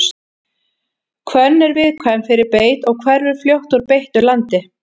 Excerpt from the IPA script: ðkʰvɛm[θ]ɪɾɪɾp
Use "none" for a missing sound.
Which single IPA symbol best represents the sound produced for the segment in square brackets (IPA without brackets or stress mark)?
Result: f